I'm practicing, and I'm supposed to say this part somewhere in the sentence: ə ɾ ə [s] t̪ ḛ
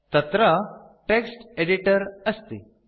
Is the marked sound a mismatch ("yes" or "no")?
no